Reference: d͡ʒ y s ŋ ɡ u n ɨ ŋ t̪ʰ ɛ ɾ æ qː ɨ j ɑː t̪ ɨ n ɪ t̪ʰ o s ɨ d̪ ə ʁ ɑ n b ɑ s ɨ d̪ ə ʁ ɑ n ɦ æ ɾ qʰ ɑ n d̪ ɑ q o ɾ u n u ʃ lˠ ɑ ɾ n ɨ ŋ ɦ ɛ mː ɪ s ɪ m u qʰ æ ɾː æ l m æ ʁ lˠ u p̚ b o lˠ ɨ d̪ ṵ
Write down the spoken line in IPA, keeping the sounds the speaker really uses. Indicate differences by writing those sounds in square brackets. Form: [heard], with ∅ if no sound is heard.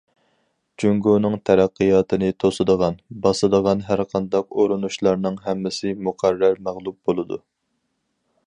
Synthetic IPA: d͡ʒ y [∅] ŋ ɡ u n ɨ ŋ t̪ʰ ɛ ɾ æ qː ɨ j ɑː t̪ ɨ n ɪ t̪ʰ o s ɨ d̪ ə ʁ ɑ n b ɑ s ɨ d̪ ə ʁ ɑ n ɦ æ ɾ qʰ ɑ n d̪ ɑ q o ɾ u n u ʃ lˠ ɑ ɾ n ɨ ŋ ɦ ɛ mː ɪ s ɪ m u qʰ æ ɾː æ [ɾ] m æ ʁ lˠ u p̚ b o lˠ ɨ d̪ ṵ